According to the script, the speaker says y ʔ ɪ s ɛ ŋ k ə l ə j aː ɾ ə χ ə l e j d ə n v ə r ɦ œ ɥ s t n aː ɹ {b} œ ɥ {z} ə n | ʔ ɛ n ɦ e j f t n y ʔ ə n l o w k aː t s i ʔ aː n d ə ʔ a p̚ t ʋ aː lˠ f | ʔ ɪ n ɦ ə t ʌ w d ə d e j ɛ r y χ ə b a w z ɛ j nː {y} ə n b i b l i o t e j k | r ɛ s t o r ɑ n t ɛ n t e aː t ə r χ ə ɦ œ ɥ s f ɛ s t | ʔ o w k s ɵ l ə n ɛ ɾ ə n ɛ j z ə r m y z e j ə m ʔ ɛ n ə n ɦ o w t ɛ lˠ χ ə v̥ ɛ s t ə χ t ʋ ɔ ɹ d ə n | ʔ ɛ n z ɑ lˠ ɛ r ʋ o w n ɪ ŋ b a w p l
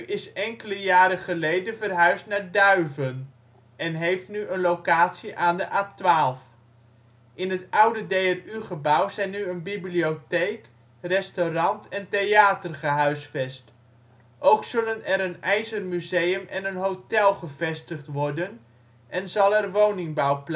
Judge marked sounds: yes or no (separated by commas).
no, no, yes